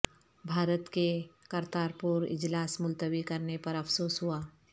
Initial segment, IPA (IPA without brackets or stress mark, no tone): bʱ